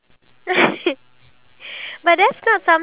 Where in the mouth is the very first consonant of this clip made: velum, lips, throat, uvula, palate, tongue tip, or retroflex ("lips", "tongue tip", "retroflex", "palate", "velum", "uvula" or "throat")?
lips